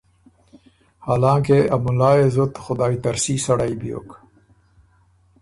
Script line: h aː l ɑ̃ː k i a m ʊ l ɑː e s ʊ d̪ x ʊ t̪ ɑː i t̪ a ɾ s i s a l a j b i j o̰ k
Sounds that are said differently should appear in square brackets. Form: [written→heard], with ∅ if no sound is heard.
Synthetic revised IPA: h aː l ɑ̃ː k [i→e] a m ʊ l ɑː e [s→z] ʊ [d̪→t̪] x ʊ [t̪→d̪] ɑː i t̪ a ɾ s i s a [l→ɽ] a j b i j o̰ k